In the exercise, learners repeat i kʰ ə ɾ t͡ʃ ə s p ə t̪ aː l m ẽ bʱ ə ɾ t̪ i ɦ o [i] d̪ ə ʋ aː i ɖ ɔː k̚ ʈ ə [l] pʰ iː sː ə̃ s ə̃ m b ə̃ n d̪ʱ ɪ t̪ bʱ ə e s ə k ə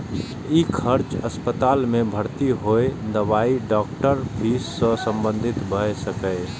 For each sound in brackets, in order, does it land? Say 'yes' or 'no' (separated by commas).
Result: no, no